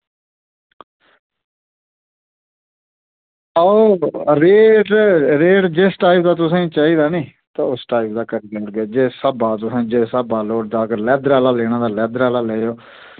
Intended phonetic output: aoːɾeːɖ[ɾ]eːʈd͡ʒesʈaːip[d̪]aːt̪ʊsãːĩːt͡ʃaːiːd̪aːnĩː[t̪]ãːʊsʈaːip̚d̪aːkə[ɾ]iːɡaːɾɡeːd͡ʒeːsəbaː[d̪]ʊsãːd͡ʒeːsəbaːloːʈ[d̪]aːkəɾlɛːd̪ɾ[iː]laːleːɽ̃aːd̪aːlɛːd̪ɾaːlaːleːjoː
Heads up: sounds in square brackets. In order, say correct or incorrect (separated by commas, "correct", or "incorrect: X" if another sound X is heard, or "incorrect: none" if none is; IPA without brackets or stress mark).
correct, correct, correct, correct, incorrect: t̪, correct, incorrect: aː